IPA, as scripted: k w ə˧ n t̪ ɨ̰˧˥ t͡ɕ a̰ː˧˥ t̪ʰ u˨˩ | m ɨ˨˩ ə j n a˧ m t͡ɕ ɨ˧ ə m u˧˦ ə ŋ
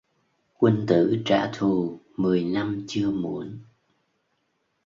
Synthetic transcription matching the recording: k w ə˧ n t̪ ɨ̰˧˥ t͡ɕ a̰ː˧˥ t̪ʰ u˨˩ | m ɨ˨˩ ə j n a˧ m t͡ɕ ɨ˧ ə m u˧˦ ə n

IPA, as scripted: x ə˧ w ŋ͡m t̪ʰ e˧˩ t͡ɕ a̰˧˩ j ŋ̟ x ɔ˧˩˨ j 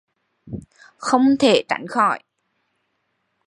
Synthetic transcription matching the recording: x ə˧ w ŋ͡m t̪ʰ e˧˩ t͡ɕ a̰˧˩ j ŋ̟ x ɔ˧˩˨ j

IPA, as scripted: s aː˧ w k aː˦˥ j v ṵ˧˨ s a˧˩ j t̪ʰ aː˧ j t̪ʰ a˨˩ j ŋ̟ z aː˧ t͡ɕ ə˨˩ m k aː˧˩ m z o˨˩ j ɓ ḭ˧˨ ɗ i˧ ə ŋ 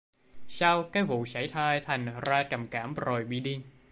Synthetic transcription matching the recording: s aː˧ w k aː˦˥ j v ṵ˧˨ s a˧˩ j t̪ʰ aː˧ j t̪ʰ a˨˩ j ŋ̟ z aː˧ t͡ɕ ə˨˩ m k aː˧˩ m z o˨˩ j ɓ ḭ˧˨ ɗ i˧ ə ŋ

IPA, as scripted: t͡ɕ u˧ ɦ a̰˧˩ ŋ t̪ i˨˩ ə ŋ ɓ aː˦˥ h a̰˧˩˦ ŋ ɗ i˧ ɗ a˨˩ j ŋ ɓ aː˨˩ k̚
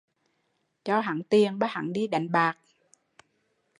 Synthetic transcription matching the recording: t͡ɕ ɔ˧ ɦ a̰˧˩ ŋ t̪ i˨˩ ə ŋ ɓ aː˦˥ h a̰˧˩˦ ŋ ɗ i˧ ɗ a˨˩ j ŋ ɓ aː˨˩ k̚

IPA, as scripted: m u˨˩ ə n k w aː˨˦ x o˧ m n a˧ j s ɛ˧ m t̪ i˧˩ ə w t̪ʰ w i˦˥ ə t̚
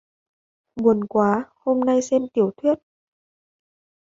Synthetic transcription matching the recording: m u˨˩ ə n k w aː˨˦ h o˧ m n a˧ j s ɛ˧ m t̪ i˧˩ ə w t̪ʰ w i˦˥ ə t̚

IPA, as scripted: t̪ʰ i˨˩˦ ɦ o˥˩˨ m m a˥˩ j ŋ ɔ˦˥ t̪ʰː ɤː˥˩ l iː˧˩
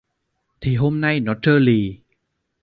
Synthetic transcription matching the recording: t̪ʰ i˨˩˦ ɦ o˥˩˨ m n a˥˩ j n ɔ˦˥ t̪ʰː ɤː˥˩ l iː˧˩

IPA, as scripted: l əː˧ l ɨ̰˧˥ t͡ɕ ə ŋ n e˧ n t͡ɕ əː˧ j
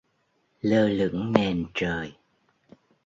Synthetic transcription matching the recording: l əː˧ l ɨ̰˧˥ ə ŋ n e˨˩ n t͡ɕ əː˨˩ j

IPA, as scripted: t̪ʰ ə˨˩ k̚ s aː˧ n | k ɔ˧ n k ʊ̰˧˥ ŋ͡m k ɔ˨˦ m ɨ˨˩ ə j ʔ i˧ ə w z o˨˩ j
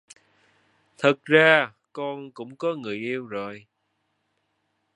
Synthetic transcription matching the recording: t̪ʰ ə˨˩ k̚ z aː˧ | k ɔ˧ n k ʊ̰˧˥ ŋ͡m k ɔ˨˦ ŋ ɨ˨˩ ə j ʔ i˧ ə w z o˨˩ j

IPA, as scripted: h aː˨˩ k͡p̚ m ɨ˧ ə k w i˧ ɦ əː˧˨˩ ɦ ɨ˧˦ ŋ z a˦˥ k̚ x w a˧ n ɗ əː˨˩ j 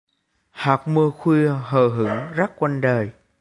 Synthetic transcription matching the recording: h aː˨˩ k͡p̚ m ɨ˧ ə x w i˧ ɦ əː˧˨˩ ɦ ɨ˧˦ ŋ z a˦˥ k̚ k w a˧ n ɗ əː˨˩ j

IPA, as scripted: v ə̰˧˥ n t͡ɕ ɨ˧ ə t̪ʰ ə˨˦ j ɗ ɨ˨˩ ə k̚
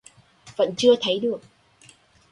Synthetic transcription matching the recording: v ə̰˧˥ n t͡ɕ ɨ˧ ə t̪ʰ ə˨˦ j ɗ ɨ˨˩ ə k̚

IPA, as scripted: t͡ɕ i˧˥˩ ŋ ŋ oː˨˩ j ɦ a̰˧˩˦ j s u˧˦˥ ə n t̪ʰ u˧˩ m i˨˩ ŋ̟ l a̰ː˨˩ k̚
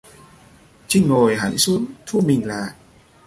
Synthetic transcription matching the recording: t͡ɕ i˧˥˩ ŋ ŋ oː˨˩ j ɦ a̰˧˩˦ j s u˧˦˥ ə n t̪ʰ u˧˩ m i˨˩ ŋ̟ l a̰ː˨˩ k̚

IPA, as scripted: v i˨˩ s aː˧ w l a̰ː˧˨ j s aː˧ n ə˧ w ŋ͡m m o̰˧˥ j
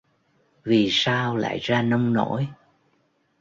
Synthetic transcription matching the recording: v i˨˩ s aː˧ w l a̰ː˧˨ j z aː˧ n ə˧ w ŋ͡m n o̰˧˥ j

